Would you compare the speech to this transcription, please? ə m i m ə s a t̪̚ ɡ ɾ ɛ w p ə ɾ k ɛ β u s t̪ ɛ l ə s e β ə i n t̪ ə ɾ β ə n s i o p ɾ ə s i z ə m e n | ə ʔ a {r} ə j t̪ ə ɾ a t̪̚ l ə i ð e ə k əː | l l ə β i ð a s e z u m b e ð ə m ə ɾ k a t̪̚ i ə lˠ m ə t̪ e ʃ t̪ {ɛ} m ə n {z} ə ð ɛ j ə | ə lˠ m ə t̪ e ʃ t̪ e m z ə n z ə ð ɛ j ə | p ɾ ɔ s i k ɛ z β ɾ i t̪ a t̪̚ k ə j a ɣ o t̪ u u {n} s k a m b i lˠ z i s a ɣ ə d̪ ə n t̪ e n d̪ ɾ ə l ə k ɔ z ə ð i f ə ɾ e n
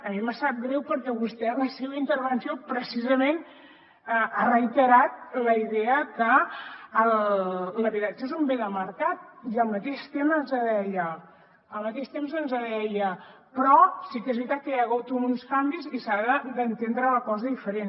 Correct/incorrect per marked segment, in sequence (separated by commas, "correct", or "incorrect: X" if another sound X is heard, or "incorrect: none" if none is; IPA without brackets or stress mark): correct, incorrect: e, correct, correct